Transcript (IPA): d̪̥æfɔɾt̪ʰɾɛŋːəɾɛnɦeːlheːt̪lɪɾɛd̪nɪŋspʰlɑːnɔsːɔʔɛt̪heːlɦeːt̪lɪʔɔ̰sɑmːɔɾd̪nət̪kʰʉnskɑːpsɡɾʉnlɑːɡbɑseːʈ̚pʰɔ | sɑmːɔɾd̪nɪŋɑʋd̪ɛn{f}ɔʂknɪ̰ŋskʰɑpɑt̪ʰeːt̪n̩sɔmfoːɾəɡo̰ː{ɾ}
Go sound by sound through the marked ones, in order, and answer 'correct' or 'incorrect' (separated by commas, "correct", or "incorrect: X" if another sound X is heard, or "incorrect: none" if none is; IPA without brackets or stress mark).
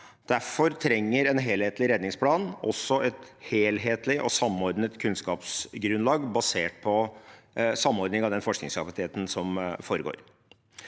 correct, correct